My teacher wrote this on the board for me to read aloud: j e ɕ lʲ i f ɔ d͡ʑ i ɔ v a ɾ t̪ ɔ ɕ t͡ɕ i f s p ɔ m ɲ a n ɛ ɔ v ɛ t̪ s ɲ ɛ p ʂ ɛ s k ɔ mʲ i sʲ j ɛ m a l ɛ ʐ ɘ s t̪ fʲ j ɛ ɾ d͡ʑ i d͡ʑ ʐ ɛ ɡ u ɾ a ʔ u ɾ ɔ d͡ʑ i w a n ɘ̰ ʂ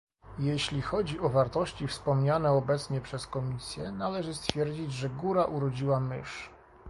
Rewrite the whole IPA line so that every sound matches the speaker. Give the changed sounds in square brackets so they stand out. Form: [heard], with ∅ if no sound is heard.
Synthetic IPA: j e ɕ lʲ i [x] ɔ d͡ʑ i ɔ v a ɾ t̪ ɔ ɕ t͡ɕ i f s p ɔ m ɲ a n ɛ ɔ [b] ɛ t̪ s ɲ ɛ p ʂ ɛ s k ɔ mʲ i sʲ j ɛ [n] a l ɛ ʐ ɘ s t̪ fʲ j ɛ ɾ d͡ʑ i d͡ʑ ʐ ɛ ɡ u ɾ a ʔ u ɾ ɔ d͡ʑ i w a [m] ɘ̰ ʂ